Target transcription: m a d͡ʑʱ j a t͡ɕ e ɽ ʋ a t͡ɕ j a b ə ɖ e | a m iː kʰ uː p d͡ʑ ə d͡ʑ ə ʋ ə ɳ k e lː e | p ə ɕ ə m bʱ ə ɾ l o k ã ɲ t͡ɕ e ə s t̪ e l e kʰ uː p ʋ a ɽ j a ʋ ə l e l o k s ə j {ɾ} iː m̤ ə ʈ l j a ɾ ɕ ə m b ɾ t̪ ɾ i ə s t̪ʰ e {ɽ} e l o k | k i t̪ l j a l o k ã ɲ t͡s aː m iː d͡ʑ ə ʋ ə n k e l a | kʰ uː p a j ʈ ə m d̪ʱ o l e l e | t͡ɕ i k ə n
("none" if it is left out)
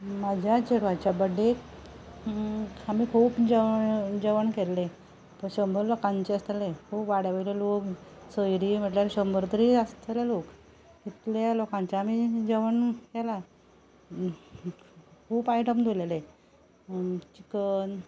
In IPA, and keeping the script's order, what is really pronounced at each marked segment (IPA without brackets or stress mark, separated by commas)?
ɾ, l